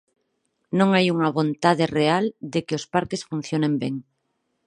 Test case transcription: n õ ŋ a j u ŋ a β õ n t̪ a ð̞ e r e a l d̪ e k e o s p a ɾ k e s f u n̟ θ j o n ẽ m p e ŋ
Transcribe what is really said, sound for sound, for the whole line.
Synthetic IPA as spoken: n õ ŋ a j u ŋ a β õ n t̪ a ð̞ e r e a l d̪ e k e o s p a ɾ k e s f u n̟ θ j o n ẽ m b e ŋ

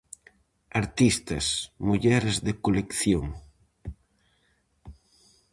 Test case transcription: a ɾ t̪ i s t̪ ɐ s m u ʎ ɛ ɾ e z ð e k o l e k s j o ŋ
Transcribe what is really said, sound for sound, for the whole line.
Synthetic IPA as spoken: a ɾ t̪ i s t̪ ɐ s m u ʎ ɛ ɾ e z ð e k o l e k θ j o ŋ

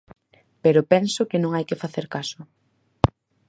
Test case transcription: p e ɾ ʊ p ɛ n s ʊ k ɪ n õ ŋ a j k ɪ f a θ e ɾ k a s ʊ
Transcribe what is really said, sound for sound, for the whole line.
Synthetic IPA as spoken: p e ɾ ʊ p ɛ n s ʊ k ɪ n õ ŋ a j k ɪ f a θ e ɾ k a s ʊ

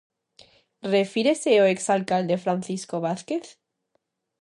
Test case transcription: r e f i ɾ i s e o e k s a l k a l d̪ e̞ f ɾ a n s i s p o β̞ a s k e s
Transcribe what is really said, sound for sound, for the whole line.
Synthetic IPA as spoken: r e f i ɾ e s e o e k s a l k a l d̪ e̞ f ɾ a n θ i s k o β̞ a θ k e θ

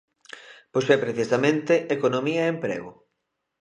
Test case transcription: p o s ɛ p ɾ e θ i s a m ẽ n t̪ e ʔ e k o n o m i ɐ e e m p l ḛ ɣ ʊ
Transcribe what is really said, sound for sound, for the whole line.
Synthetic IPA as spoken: p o s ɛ p ɾ e θ i s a m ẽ n t̪ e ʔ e k o n o m i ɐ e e m p ɾ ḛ ɣ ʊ

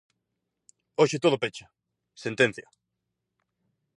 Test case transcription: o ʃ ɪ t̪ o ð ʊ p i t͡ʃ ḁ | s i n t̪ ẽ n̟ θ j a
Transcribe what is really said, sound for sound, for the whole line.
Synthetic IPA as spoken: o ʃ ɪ t̪ o ð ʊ p e t͡ʃ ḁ | s e n t̪ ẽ n̟ θ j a

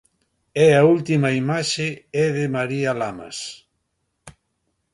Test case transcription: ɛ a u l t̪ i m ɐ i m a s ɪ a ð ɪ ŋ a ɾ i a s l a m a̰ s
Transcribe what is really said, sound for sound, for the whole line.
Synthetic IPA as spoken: ɛ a u l t̪ i m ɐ i m a ʃ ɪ ɛ ð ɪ m a ɾ i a l a m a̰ s

